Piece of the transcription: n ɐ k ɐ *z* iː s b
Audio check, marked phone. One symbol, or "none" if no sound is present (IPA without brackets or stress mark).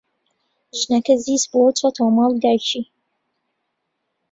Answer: z